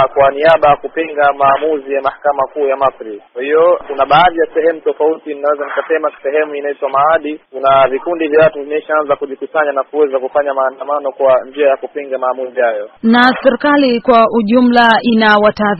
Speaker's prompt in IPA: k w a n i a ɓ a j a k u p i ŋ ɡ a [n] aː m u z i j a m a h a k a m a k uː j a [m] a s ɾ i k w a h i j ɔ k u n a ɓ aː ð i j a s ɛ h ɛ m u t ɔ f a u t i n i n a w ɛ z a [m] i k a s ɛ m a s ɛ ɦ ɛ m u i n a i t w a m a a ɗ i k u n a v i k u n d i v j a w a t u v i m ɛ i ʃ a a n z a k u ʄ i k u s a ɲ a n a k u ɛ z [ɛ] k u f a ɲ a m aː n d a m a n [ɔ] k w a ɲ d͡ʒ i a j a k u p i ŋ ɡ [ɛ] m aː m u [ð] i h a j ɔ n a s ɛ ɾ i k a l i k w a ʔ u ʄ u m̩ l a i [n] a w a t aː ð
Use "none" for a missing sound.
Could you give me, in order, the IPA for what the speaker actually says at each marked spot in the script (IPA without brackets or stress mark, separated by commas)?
m, m, n, a, ɔ, a, z, n